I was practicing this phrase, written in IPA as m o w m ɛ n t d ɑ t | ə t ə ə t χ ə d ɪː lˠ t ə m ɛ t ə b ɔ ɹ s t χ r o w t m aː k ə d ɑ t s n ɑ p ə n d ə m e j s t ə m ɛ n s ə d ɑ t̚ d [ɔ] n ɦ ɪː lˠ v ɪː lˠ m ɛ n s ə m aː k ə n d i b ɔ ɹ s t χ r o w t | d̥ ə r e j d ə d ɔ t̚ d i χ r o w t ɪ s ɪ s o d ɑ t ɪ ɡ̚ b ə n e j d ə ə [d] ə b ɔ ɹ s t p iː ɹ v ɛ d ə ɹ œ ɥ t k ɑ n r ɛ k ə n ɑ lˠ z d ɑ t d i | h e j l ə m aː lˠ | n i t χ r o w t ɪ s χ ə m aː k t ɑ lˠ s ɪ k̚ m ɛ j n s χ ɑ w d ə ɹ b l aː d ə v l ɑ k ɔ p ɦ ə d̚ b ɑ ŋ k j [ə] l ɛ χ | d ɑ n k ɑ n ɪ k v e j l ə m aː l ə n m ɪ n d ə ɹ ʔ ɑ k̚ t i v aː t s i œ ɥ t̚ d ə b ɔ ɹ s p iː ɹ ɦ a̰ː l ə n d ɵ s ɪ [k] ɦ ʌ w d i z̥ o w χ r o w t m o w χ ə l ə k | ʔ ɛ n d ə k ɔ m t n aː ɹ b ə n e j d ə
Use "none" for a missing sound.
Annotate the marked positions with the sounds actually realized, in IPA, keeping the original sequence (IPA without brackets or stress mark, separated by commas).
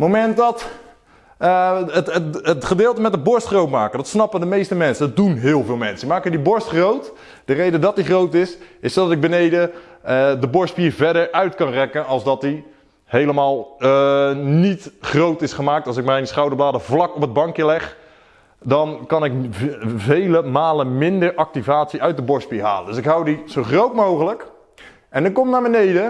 u, d, ə, k